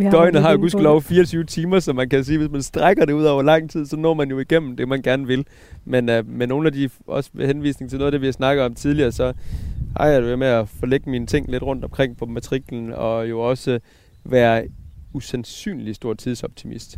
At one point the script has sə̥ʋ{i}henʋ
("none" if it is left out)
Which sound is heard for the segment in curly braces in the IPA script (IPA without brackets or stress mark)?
e